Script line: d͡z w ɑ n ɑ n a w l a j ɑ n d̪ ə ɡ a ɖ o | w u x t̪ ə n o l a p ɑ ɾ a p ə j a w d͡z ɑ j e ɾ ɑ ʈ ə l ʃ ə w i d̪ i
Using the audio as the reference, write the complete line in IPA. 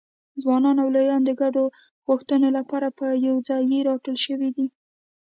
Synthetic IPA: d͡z w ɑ n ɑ n a w l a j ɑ n d̪ ə ɡ a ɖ o | ɣ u x t̪ ə n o l a p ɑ ɾ a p ə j a w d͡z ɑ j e ɾ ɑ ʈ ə l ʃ ə w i d̪ i